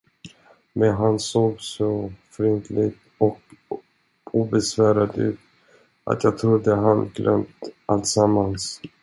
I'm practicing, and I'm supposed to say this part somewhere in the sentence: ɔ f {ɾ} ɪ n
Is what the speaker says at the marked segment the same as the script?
yes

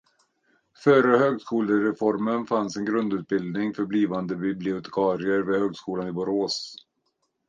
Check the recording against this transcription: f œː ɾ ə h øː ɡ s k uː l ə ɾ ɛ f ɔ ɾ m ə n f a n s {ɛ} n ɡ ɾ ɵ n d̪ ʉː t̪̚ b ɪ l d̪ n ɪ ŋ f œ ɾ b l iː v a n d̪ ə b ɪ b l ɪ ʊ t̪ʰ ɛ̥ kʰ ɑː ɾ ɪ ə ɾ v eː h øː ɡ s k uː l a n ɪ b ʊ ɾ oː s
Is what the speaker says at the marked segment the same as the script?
yes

